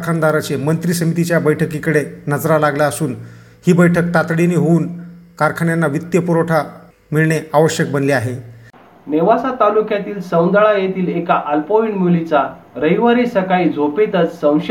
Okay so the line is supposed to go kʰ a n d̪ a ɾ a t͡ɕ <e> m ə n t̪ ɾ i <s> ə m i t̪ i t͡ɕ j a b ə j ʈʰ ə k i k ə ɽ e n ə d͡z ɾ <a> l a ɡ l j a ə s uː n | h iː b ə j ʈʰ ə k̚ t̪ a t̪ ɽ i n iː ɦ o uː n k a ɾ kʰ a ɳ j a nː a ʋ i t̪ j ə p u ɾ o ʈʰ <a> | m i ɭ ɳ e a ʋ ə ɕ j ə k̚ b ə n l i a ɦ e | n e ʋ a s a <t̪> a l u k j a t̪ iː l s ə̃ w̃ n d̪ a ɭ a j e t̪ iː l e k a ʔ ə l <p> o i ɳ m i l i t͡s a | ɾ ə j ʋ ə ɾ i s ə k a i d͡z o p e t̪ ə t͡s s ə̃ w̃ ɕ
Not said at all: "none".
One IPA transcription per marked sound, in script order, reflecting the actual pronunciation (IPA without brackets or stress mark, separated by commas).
e, s, a, a, t̪, p